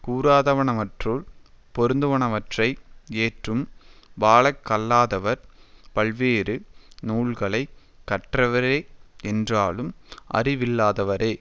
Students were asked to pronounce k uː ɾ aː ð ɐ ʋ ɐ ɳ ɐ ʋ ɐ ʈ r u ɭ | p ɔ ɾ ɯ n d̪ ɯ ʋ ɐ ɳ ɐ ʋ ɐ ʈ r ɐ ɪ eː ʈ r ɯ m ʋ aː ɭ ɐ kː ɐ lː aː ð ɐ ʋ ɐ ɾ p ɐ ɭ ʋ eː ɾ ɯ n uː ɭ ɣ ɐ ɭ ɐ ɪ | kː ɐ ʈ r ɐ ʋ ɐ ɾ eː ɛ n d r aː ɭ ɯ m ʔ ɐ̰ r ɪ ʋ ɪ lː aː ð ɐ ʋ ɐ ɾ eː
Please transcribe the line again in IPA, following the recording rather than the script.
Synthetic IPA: k uː ɾ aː ð ɐ ʋ ɐ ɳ ɐ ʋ ɐ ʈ r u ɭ | p ɔ ɾ ɯ n d̪ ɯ ʋ ɐ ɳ ɐ ʋ ɐ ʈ r ɐ ɪ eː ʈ r ɯ m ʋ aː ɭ ɐ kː ɐ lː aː ð ɐ ʋ ɐ ɾ p ɐ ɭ ʋ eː ɾ ɯ n uː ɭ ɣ ɐ ɭ ɐ ɪ | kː ɐ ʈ r ɐ ʋ ɐ ɾ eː ɛ n d r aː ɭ ɯ m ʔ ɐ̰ r ɪ ʋ ɪ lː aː ð ɐ ʋ ɐ ɾ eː